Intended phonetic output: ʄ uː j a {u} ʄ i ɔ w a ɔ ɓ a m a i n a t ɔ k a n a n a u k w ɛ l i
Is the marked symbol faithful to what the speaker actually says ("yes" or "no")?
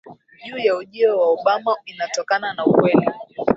yes